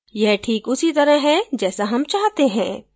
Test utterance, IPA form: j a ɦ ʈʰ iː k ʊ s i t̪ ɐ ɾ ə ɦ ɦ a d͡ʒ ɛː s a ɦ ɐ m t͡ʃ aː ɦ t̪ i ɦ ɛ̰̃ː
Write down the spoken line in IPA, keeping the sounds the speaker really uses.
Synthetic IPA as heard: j ɛ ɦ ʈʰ iː k ʊ s i t̪ ɐ ɾ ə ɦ ɦ ɛ d͡ʒ ɛː s a ɦ ɐ m t͡ʃ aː ɦ t̪ e ɦ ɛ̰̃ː